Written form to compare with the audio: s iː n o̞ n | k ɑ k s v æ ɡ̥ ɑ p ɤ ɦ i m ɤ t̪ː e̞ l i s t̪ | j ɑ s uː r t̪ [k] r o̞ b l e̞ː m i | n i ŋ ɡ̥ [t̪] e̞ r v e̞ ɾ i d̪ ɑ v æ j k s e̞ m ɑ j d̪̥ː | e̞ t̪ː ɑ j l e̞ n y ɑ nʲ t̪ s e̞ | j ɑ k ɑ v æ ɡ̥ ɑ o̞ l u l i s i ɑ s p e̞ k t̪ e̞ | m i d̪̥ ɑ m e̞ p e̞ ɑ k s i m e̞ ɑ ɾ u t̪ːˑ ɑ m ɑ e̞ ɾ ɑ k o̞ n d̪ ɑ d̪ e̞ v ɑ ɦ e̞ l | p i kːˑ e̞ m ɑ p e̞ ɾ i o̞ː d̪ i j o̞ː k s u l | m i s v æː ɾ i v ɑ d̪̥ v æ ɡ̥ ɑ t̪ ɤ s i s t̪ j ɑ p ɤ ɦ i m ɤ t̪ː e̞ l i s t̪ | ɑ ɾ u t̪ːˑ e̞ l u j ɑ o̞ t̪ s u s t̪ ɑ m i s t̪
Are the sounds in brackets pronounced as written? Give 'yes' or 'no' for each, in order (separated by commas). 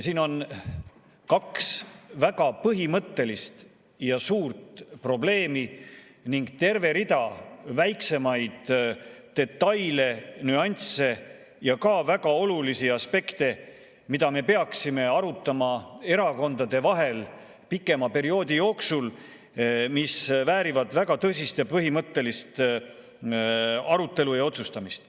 no, yes